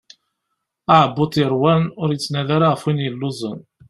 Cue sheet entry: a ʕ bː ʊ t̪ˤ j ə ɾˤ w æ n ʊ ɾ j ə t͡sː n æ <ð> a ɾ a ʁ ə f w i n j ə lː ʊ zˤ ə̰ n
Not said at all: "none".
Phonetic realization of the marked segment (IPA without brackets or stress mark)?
ð